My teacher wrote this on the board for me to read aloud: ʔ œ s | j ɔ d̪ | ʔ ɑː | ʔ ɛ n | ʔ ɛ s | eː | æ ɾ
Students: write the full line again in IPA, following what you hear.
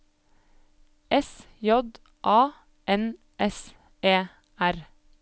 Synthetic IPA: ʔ ɛ s | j ɔ d̪ | ʔ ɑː | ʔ ɛ n | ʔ ɛ s | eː | æ ɾ